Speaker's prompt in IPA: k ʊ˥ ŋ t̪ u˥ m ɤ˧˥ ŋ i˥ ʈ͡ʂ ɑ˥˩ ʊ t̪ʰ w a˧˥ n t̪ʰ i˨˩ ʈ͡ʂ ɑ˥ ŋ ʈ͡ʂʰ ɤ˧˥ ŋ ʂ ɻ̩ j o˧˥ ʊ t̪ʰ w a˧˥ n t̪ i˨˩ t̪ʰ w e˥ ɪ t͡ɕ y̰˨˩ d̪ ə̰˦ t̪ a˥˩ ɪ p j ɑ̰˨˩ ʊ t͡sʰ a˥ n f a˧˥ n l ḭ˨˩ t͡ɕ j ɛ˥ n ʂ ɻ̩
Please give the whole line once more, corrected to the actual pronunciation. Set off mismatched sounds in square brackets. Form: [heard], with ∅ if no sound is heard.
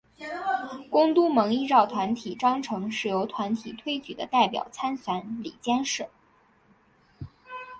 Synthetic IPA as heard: k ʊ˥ ŋ t̪ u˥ m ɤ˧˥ ŋ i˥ ʈ͡ʂ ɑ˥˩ ʊ t̪ʰ w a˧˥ n t̪ʰ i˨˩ ʈ͡ʂ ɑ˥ ŋ ʈ͡ʂʰ ɤ˧˥ ŋ ʂ ɻ̩ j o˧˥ ʊ t̪ʰ w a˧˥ n [t̪ʰ] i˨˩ t̪ʰ w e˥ ɪ t͡ɕ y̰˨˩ d̪ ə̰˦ t̪ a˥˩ ɪ p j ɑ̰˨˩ ʊ t͡sʰ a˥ n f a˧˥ n l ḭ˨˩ t͡ɕ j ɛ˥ n ʂ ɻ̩

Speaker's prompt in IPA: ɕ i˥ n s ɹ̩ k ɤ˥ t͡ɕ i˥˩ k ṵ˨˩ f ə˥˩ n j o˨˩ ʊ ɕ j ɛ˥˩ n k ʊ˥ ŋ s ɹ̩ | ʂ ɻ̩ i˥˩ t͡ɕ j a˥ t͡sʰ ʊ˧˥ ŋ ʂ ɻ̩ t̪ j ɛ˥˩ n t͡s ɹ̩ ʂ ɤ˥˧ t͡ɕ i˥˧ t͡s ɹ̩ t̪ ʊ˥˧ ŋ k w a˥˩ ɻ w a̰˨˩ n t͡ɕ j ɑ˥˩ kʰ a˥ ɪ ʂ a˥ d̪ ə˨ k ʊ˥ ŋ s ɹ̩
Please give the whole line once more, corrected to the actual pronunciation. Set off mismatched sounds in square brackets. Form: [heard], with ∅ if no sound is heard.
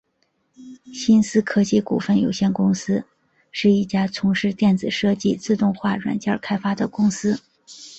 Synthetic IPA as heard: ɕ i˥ n s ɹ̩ [kʰ] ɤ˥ t͡ɕ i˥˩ k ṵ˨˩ f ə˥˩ n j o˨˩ ʊ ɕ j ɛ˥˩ n k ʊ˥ ŋ s ɹ̩ | ʂ ɻ̩ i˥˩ t͡ɕ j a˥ t͡sʰ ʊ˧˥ ŋ ʂ ɻ̩ t̪ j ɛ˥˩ n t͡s ɹ̩ ʂ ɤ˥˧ t͡ɕ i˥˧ t͡s ɹ̩ t̪ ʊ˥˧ ŋ [x] w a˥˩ ɻ w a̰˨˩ n t͡ɕ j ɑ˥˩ kʰ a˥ ɪ [f] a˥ d̪ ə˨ k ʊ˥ ŋ s ɹ̩

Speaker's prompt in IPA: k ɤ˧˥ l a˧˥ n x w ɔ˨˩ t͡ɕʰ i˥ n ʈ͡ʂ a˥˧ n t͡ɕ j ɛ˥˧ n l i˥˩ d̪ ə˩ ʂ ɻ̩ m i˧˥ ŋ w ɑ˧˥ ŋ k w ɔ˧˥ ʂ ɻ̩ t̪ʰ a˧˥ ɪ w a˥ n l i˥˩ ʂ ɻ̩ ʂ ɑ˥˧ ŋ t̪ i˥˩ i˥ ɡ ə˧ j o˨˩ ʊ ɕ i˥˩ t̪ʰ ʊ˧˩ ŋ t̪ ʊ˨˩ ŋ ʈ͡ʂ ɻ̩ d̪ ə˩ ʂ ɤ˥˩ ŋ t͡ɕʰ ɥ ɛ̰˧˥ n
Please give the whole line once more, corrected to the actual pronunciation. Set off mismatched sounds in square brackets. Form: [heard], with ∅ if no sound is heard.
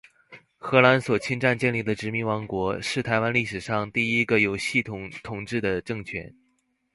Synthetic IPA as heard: [x] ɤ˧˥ l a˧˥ n [s] w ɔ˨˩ t͡ɕʰ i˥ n ʈ͡ʂ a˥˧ n t͡ɕ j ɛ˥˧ n l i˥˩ d̪ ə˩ [ʈ͡ʂ] ɻ̩ m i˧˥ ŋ w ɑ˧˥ ŋ k w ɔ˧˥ ʂ ɻ̩ t̪ʰ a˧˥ ɪ w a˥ n l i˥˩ ʂ ɻ̩ ʂ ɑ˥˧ ŋ t̪ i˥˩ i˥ ɡ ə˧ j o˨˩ ʊ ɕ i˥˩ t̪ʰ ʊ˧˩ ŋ [t̪ʰ] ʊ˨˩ ŋ ʈ͡ʂ ɻ̩ d̪ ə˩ [ʈ͡ʂ] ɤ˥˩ ŋ t͡ɕʰ ɥ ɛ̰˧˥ n

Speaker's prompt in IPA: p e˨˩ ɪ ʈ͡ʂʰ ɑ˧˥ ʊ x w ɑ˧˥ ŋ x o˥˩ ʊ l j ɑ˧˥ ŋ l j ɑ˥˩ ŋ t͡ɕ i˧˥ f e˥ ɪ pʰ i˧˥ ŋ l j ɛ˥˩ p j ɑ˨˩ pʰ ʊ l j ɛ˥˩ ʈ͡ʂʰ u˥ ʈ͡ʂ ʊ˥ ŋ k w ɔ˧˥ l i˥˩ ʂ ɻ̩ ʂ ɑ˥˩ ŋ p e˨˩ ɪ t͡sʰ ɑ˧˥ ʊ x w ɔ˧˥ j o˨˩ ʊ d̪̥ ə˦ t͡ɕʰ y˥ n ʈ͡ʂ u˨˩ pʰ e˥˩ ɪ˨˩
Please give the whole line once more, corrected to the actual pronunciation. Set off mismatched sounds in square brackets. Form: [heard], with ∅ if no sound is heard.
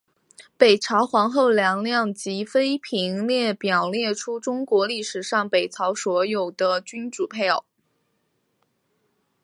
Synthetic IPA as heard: p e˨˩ ɪ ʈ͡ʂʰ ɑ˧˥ ʊ x w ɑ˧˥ ŋ x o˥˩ ʊ l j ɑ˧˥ ŋ l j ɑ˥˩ ŋ t͡ɕ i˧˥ f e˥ ɪ pʰ i˧˥ ŋ l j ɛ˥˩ p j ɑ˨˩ [∅] ʊ l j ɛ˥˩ ʈ͡ʂʰ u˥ ʈ͡ʂ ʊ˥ ŋ k w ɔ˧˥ l i˥˩ ʂ ɻ̩ ʂ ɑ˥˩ ŋ p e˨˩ ɪ t͡sʰ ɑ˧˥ ʊ [s] w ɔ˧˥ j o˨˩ ʊ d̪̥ ə˦ [t͡ɕ] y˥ n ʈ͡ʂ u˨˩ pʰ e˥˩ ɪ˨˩

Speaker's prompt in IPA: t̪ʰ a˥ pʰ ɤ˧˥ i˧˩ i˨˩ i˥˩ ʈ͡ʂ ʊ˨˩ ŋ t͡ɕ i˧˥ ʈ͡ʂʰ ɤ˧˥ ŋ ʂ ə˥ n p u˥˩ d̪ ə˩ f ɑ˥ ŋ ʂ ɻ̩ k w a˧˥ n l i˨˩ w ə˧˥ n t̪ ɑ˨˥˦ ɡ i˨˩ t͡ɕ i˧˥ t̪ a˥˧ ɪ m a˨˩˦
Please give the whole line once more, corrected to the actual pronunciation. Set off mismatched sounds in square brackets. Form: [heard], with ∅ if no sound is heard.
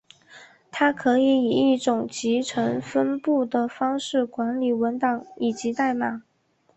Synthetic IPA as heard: t̪ʰ a˥ [kʰ] ɤ˧˥ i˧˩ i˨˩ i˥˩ ʈ͡ʂ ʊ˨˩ ŋ t͡ɕ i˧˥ ʈ͡ʂʰ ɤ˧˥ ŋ [f] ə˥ n p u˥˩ d̪ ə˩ f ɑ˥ ŋ ʂ ɻ̩ k w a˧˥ n l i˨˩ w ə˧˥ n t̪ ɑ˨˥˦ [ŋ] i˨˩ t͡ɕ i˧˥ t̪ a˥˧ ɪ m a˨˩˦

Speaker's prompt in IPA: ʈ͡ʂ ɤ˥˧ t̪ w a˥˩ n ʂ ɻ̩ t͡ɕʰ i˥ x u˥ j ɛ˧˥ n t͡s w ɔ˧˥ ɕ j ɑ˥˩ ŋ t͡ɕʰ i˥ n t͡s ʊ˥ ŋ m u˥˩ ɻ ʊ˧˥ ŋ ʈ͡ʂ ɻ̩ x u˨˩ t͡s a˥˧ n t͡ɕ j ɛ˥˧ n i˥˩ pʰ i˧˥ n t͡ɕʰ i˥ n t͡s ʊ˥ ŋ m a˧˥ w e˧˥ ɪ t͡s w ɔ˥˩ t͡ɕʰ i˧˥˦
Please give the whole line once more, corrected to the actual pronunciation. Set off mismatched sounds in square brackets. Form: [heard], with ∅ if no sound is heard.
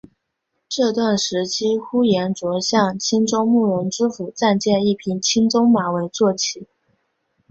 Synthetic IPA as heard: ʈ͡ʂ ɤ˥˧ t̪ w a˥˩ n ʂ ɻ̩ t͡ɕʰ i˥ x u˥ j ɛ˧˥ n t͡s w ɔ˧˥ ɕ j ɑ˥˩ ŋ t͡ɕʰ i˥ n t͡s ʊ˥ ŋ m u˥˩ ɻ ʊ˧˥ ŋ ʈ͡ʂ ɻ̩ [f] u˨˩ t͡s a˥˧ n t͡ɕ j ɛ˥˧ n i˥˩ pʰ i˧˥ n t͡ɕʰ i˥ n t͡s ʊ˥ ŋ m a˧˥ w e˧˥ ɪ t͡s w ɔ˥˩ t͡ɕʰ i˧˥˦

